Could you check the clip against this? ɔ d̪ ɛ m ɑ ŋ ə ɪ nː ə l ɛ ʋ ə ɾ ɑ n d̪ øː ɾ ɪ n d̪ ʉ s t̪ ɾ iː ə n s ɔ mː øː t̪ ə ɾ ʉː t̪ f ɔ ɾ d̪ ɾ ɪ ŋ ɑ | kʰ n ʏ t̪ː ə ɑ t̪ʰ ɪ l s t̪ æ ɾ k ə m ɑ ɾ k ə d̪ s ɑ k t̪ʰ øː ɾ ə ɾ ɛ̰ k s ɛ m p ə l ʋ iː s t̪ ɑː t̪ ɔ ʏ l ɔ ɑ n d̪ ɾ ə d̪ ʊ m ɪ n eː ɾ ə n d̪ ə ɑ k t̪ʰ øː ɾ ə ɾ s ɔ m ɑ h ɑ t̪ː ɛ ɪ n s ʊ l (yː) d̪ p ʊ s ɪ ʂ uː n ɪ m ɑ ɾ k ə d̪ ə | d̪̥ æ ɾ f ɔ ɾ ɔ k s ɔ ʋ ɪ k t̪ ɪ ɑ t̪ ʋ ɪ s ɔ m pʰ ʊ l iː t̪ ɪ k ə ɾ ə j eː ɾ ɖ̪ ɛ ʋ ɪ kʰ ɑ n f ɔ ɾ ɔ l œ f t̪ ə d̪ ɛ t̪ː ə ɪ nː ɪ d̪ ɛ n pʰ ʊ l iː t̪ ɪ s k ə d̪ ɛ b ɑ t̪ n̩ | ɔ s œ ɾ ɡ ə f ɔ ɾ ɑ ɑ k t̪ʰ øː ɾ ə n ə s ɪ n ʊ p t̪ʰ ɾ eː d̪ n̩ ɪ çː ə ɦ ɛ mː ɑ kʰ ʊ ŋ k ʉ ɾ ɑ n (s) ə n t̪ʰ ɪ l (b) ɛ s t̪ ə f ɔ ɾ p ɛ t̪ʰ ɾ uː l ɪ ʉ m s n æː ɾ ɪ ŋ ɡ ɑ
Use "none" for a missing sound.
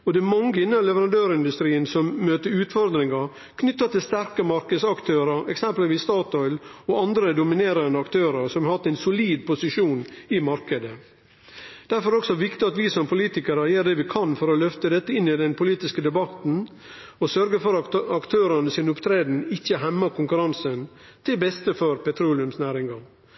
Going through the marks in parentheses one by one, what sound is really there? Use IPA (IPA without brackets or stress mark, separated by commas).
iː, s, b